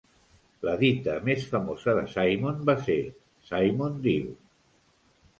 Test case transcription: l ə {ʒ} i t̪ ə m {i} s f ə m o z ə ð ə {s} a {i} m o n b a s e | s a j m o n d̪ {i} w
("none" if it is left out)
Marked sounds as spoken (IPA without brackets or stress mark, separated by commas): ð, e, s, j, i